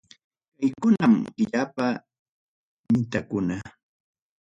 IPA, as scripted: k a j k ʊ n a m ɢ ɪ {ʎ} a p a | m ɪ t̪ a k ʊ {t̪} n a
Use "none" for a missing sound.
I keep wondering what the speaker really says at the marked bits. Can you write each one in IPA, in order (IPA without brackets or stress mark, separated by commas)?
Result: ʎ, none